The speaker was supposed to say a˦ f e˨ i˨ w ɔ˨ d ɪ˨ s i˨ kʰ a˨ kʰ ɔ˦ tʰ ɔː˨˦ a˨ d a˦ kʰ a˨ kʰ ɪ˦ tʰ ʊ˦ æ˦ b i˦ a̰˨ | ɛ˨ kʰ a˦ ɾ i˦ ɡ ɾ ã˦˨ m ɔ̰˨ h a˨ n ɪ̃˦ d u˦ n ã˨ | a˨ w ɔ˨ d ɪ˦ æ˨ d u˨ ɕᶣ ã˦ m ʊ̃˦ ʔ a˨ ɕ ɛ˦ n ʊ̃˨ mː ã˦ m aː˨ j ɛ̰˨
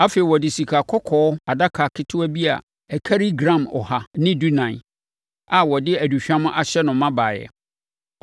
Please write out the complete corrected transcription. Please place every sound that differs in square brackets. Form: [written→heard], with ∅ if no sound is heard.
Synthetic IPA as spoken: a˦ f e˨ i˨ w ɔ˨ d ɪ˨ s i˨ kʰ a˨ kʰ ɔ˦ [tʰ→kʰ] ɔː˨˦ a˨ d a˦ kʰ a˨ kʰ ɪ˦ tʰ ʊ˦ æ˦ b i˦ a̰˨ | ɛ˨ kʰ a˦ ɾ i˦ ɡ ɾ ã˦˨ m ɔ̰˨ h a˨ n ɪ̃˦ d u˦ n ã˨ | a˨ w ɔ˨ d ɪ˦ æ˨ d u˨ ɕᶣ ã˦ m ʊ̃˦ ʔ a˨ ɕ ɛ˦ n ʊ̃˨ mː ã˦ [m→b] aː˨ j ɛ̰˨